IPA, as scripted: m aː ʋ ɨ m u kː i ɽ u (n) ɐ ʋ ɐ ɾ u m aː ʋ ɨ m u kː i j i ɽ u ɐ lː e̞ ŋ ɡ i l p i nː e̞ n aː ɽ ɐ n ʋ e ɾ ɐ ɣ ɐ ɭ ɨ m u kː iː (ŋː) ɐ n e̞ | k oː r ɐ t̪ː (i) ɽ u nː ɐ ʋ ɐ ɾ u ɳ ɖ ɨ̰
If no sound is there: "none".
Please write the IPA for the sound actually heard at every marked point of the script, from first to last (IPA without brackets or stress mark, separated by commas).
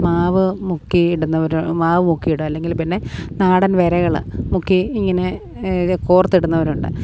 nː, ŋː, i